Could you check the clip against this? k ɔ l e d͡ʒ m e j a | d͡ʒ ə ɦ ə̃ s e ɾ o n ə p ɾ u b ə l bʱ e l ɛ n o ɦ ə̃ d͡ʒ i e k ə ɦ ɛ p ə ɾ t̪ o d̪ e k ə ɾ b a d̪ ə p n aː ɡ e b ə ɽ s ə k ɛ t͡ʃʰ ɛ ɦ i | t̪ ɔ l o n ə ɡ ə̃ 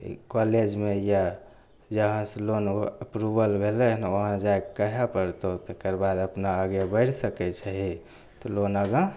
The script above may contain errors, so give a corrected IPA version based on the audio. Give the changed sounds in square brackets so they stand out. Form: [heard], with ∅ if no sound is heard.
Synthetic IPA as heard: k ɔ l e d͡ʒ m e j a | d͡ʒ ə ɦ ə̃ s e [l] o n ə p ɾ u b ə l bʱ e l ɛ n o ɦ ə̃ d͡ʒ [a] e k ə ɦ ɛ p ə ɾ t̪ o [t̪] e k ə ɾ b a d̪ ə p n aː ɡ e b ə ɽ s ə k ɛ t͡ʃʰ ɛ ɦ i | t̪ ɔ l o n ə ɡ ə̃